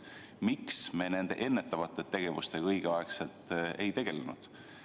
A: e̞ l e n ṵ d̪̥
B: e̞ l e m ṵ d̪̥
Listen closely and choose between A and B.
A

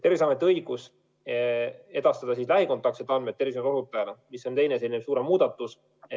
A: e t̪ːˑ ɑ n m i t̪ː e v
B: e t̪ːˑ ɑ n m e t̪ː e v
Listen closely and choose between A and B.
B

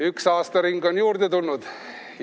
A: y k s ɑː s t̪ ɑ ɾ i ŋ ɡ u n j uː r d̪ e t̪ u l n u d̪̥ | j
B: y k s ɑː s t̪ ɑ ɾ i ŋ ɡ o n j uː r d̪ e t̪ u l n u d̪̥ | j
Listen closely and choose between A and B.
B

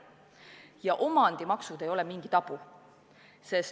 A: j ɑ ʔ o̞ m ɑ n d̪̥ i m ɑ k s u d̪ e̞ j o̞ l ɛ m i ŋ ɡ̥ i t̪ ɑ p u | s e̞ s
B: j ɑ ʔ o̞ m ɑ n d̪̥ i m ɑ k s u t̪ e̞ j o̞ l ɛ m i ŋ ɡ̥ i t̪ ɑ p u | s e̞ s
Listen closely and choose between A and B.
A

